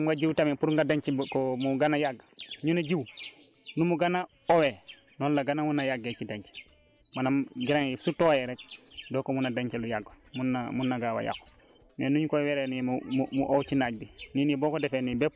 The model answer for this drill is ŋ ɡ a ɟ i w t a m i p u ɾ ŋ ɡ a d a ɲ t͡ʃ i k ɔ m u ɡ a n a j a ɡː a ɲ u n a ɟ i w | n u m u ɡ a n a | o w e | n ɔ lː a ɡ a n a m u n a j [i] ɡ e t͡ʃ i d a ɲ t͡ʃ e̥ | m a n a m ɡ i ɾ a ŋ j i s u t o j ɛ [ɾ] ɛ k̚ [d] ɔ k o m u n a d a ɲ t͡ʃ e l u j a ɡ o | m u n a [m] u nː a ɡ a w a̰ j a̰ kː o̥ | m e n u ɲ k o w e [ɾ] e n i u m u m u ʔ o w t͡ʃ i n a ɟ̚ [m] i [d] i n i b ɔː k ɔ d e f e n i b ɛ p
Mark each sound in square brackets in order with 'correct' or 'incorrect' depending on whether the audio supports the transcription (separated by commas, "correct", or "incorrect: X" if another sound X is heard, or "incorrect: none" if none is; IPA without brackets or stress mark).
incorrect: a, correct, correct, correct, correct, incorrect: b, incorrect: n